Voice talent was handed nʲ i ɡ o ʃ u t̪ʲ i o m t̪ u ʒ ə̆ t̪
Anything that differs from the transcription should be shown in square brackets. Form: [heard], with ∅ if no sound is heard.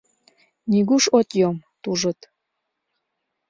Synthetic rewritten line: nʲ i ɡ [u] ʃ [o] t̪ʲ [j] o m t̪ u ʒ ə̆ t̪